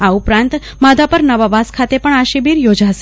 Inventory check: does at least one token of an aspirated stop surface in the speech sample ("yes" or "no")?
yes